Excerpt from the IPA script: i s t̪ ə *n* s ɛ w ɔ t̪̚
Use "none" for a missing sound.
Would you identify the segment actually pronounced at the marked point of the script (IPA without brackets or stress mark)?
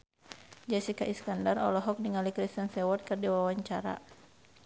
n